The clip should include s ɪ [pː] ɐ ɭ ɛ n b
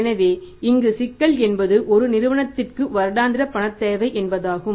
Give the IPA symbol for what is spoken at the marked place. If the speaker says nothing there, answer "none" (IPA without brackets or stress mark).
kː